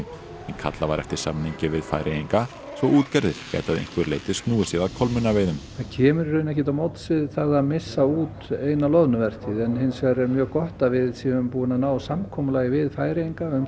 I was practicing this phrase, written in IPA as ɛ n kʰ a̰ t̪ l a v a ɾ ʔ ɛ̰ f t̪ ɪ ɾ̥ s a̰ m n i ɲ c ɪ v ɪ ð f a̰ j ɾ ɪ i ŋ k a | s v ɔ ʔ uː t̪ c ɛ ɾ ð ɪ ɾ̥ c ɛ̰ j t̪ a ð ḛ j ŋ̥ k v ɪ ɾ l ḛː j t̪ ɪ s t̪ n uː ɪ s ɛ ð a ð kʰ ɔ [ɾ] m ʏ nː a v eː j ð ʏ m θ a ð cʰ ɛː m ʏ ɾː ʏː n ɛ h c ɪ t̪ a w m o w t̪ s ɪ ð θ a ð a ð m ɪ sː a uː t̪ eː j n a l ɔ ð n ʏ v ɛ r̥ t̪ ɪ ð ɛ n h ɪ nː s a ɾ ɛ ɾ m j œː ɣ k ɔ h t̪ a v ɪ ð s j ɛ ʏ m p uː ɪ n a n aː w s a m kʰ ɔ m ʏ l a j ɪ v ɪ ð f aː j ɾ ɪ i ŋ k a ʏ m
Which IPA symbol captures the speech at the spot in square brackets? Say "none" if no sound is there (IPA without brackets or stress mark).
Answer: l